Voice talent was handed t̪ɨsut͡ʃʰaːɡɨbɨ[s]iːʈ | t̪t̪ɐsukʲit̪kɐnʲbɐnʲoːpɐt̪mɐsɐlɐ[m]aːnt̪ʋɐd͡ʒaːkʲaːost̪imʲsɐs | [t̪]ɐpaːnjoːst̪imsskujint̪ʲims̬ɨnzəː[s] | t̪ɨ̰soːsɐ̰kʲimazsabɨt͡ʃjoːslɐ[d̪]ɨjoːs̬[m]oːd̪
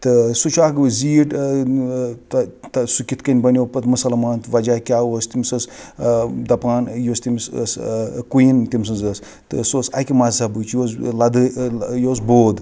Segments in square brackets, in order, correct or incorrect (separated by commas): incorrect, correct, incorrect, correct, correct, incorrect